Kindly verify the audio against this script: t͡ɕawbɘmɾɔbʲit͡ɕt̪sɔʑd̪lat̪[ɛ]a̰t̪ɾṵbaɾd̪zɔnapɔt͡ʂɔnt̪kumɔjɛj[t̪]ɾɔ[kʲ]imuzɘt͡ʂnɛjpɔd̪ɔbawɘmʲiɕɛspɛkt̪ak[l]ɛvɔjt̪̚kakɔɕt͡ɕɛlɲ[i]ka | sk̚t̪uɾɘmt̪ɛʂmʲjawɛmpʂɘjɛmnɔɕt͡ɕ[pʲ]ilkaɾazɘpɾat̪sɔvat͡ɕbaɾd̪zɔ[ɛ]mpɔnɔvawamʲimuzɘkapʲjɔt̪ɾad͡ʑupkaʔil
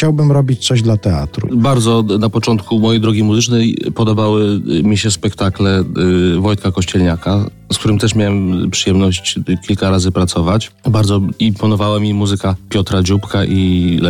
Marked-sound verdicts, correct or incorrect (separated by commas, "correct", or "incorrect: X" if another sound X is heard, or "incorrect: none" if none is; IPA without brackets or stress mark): correct, incorrect: d̪, incorrect: ɡʲ, correct, incorrect: a, incorrect: kʲ, incorrect: i